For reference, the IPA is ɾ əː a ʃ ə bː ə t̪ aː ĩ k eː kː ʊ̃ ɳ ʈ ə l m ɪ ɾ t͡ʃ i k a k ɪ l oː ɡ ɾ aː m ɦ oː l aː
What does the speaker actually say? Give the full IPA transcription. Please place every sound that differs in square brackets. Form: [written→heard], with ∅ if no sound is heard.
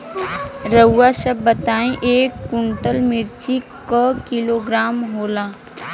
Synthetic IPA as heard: ɾ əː a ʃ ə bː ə t̪ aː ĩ [k→ʔ] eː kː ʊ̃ ɳ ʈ ə l m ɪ ɾ t͡ʃ i k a k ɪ l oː ɡ ɾ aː m ɦ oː l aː